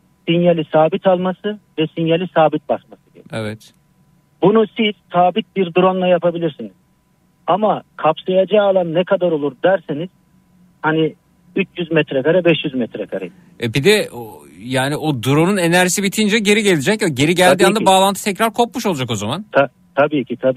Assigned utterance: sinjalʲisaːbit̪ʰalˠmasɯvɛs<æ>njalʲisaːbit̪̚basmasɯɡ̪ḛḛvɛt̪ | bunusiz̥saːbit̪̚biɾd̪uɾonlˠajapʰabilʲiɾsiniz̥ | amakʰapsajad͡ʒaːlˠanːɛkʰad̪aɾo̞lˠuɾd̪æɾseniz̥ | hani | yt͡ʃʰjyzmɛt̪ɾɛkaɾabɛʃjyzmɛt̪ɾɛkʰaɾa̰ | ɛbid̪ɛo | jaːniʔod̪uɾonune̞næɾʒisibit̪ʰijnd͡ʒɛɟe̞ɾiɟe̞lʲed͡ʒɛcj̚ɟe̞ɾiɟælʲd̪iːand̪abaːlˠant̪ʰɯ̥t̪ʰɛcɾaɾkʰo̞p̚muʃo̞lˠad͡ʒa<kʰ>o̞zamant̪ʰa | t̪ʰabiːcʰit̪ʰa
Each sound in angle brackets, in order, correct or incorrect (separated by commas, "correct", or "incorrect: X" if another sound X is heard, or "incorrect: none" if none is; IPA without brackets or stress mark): incorrect: i, incorrect: k